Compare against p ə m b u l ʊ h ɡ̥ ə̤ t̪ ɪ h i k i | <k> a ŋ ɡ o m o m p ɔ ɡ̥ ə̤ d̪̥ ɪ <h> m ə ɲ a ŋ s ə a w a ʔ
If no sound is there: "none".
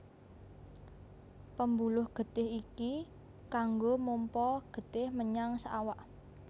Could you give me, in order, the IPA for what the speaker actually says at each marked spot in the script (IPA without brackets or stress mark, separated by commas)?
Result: k, h